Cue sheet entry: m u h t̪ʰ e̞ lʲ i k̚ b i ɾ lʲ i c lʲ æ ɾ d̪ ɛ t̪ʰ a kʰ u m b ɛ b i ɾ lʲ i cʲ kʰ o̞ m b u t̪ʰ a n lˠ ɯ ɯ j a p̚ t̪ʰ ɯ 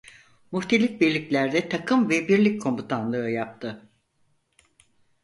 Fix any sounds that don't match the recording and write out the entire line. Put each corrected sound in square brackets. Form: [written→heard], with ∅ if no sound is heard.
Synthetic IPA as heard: m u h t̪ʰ e̞ lʲ i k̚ b i ɾ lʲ i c lʲ æ ɾ d̪ ɛ t̪ʰ a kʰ [u→ɯ] m [b→v] ɛ b i ɾ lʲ i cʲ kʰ o̞ m b u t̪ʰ a n lˠ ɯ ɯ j a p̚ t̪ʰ ɯ